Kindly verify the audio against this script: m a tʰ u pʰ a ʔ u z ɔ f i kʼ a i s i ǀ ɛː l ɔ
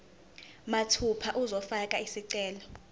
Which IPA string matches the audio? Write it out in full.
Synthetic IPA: m a tʰ u pʰ a ʔ u z ɔ f a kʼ a i s i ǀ ɛː l ɔ

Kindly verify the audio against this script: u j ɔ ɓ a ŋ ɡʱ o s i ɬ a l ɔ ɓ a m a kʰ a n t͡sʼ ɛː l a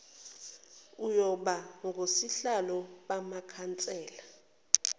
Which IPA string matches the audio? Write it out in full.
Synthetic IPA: u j ɔ ɓ a ŋ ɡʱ o s i ɬ a l ɔ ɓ a m a kʰ a n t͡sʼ ɛː l a

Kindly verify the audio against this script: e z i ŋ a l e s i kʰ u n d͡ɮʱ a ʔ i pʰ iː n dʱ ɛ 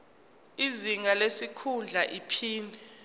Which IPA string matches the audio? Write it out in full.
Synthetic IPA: i z i ŋ a l e s i kʰ u n d͡ɮʱ a ʔ i pʰ iː n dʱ ɛ

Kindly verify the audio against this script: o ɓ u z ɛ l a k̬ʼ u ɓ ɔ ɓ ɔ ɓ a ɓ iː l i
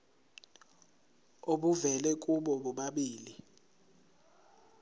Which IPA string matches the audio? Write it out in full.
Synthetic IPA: o ɓ u v ɛ l ɛ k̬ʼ u ɓ ɔ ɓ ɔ ɓ a ɓ iː l i

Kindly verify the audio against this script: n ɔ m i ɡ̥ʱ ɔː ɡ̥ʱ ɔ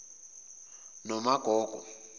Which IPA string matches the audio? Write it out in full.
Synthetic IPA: n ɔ m a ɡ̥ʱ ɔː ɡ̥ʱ ɔ

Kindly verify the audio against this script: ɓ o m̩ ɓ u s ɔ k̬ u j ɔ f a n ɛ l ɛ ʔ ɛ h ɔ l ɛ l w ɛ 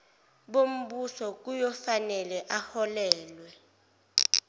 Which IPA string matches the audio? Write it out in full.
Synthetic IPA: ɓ o m̩ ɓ u s ɔ k̬ u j ɔ f a n ɛ l ɛ ʔ a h ɔ l ɛː l w ɛ

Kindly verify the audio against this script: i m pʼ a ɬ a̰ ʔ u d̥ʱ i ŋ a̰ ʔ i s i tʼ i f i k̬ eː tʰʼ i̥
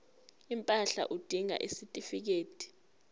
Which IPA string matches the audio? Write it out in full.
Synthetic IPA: i m pʼ a ɬ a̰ ʔ u d̥ʱ i ŋ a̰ ʔ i s i tʼ i f i k̬ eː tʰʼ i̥

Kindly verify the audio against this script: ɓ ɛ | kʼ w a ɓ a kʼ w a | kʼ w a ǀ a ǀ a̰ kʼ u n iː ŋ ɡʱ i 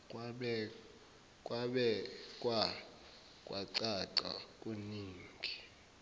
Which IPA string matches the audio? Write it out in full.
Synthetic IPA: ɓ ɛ | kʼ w a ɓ ɛ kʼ w a | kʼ w a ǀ a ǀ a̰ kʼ u n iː ŋ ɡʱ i

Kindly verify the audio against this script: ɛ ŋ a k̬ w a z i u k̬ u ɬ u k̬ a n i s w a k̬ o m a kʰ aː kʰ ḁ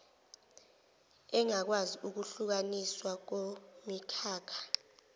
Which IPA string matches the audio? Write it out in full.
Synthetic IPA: ɛ ŋ a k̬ w a z i u k̬ u ɬ u k̬ a n i s w a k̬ o m i kʰ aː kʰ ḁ

